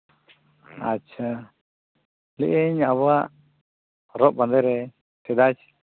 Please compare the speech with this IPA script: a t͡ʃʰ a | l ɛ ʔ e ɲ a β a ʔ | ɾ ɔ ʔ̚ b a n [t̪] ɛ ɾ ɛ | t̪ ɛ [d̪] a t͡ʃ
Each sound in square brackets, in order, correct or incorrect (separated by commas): incorrect, correct